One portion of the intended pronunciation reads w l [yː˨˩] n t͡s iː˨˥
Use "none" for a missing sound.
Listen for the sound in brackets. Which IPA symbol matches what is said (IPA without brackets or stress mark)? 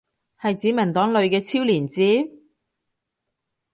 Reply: iː˨˩